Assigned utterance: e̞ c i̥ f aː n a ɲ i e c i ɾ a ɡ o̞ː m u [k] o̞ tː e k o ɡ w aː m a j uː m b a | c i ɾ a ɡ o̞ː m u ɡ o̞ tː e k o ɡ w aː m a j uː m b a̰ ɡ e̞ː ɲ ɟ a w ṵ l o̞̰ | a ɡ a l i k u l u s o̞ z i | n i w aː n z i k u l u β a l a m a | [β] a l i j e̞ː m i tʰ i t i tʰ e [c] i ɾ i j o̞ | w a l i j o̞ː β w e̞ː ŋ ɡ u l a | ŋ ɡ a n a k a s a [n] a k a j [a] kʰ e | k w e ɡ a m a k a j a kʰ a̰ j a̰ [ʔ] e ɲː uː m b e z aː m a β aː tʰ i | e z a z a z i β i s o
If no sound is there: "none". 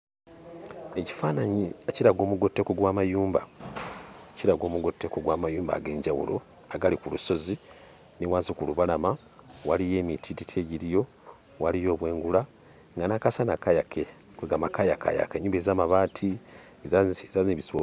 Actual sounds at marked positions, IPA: ɡ, w, ɟ, n, a, k

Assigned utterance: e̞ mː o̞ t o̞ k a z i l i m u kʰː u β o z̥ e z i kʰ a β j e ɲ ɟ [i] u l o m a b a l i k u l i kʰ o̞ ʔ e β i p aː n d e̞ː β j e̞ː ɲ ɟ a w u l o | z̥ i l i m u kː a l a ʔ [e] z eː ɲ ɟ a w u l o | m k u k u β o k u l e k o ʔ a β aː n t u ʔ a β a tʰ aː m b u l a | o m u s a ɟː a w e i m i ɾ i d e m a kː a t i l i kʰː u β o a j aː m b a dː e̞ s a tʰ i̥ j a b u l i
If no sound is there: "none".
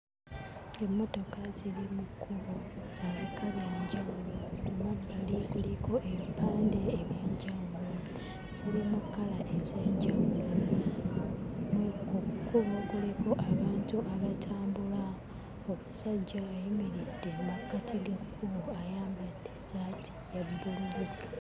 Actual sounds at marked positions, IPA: a, e

